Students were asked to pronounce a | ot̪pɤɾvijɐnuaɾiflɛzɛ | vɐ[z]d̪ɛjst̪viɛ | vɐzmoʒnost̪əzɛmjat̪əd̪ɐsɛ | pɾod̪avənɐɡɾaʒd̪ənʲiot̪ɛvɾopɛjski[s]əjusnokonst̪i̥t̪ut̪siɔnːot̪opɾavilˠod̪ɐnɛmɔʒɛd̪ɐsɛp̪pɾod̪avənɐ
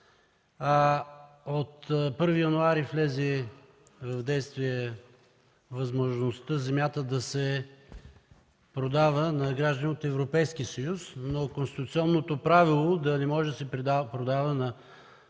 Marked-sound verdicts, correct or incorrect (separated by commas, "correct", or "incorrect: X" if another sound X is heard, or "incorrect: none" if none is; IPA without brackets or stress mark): incorrect: v, correct